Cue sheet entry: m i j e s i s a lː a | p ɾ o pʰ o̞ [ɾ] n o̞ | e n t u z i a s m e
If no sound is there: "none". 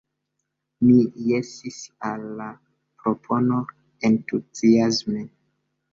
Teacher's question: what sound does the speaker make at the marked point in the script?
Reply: none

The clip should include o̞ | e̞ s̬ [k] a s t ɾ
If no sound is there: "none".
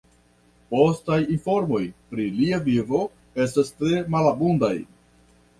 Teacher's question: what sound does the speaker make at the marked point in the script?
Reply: t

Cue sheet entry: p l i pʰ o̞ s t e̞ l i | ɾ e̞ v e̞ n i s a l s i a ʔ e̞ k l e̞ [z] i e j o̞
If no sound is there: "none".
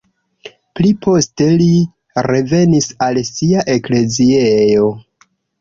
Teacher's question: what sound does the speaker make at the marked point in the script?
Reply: z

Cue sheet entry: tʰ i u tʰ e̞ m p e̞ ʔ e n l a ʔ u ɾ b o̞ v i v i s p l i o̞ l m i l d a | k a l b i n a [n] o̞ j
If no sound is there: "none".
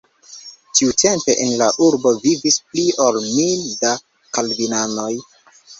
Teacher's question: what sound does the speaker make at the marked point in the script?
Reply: n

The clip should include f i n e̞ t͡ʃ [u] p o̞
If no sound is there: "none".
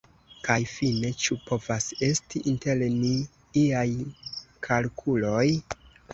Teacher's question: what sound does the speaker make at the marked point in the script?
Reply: u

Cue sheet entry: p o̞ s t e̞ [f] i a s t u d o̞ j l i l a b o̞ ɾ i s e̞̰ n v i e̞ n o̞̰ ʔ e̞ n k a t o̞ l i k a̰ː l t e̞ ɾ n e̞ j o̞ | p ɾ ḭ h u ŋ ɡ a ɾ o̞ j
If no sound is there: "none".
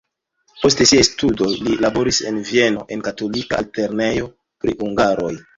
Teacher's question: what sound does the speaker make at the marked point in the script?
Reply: s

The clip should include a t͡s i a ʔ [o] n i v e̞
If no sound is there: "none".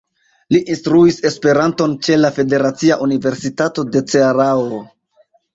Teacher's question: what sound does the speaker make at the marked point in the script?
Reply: u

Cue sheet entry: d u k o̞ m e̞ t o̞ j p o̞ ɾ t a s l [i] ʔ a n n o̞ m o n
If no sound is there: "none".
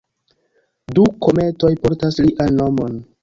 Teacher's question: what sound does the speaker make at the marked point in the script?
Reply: i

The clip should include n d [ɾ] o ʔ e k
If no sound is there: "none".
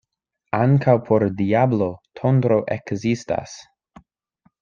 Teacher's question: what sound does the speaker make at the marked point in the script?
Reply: ɾ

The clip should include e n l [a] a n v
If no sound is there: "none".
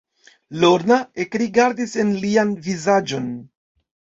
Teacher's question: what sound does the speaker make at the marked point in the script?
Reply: i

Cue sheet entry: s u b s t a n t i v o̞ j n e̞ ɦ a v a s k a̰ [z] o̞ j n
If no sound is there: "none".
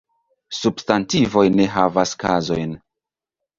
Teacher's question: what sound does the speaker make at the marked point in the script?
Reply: z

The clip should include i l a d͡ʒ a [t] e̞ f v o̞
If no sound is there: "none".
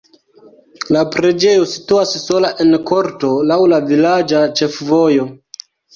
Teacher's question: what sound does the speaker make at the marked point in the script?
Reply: t͡ʃ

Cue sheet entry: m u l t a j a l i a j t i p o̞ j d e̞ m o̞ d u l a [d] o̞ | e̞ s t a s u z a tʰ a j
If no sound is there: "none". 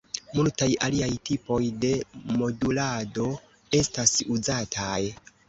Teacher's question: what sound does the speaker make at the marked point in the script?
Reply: d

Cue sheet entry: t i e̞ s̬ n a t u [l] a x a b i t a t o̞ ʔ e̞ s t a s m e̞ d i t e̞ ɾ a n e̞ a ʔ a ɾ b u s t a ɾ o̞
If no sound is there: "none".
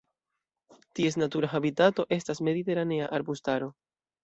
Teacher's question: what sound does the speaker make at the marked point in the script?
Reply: ɾ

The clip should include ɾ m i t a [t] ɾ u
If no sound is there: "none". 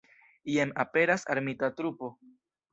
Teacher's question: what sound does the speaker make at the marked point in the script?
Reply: t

